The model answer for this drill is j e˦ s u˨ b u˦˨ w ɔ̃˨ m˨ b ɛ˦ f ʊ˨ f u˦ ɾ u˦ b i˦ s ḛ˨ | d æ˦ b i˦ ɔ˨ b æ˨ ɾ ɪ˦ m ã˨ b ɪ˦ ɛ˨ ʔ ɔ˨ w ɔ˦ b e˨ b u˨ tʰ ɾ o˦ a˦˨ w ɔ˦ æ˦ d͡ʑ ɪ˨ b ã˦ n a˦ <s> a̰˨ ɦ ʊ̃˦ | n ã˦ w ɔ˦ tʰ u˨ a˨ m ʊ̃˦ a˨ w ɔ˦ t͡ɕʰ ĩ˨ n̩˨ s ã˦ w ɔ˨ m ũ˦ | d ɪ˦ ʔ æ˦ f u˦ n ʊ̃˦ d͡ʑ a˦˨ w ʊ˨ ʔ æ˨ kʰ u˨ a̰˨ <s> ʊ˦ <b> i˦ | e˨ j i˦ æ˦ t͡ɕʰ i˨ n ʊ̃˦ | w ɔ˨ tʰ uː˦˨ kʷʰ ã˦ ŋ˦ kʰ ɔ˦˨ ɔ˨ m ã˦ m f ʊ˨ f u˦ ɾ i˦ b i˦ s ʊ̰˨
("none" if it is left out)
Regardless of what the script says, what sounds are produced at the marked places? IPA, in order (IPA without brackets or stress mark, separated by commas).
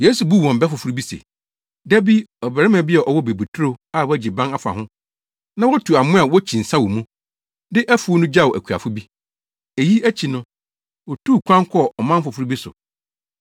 f, f, b